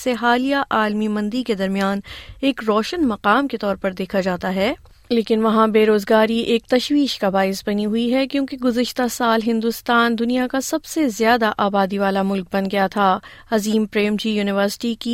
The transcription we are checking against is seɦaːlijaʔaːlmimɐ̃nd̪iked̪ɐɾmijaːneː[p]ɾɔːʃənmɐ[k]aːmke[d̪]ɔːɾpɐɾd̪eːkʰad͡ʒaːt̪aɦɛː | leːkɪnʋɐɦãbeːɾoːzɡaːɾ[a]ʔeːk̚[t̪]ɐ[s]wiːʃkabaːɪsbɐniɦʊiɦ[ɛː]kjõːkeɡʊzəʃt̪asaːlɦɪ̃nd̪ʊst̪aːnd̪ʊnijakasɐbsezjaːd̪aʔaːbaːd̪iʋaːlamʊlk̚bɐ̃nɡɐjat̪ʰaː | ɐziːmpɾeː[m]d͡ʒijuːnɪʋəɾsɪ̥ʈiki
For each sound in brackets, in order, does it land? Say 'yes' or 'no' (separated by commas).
no, no, no, no, yes, no, no, yes